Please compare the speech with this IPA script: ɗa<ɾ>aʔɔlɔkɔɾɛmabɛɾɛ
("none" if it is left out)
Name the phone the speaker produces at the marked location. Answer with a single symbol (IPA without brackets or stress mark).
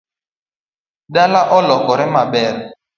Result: l